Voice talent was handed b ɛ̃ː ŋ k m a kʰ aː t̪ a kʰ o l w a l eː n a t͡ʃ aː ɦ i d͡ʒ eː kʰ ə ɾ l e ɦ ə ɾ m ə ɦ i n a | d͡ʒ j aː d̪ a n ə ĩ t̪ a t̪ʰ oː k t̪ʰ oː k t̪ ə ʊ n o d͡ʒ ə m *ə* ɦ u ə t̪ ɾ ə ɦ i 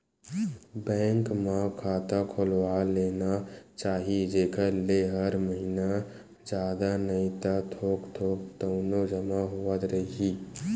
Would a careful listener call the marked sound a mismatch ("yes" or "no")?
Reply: yes